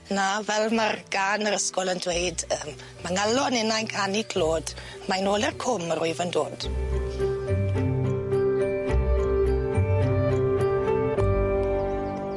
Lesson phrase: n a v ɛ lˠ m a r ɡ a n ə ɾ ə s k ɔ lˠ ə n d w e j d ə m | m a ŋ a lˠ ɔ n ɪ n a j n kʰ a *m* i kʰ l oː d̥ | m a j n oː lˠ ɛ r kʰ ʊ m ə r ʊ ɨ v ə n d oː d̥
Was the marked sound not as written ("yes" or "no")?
yes